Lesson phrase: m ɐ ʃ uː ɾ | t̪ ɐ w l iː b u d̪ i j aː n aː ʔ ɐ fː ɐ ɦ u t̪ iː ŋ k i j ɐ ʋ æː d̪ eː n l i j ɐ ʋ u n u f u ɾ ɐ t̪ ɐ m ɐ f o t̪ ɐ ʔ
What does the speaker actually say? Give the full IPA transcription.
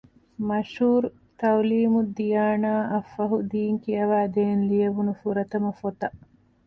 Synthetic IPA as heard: m ɐ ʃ uː ɾ | t̪ ɐ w l iː m u d̪ i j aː n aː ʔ ɐ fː ɐ ɦ u d̪ iː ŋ k i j ɐ ʋ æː d̪ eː n l i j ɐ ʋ u n u f u ɾ ɐ t̪ ɐ m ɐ f o t̪ ɐ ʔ